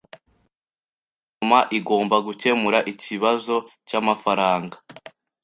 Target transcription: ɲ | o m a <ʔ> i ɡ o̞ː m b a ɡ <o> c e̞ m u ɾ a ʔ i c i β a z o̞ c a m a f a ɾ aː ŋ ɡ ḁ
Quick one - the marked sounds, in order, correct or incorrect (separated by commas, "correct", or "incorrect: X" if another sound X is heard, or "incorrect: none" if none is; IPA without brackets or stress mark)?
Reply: correct, incorrect: u